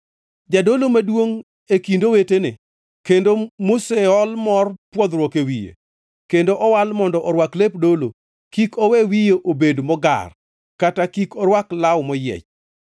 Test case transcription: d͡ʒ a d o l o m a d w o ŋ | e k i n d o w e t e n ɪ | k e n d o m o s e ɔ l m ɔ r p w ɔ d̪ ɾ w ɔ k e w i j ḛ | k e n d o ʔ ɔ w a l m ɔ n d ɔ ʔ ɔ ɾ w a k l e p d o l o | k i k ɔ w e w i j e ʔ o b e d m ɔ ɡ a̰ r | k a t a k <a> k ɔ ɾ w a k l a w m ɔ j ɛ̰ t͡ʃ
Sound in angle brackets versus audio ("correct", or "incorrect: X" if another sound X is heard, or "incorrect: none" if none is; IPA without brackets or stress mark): incorrect: i